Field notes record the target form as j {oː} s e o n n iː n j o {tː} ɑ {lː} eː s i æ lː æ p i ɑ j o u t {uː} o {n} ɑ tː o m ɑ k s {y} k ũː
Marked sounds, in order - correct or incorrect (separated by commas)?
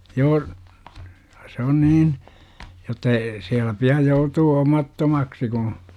correct, correct, incorrect, correct, incorrect, incorrect